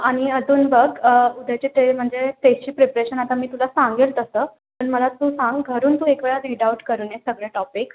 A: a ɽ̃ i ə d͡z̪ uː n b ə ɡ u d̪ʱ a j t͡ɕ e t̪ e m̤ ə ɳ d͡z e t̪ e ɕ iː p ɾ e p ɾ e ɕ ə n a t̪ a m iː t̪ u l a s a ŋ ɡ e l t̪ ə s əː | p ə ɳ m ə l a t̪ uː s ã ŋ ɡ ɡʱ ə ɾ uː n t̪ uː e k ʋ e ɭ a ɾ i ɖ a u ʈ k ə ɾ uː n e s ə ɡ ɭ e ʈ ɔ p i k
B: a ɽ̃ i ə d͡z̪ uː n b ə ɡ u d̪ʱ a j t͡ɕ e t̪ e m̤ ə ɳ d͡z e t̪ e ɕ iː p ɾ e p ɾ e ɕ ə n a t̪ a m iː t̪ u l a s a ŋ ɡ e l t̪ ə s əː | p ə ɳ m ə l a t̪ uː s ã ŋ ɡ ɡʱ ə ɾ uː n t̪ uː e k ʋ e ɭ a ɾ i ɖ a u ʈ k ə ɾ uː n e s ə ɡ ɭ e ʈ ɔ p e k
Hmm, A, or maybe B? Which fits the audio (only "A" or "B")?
A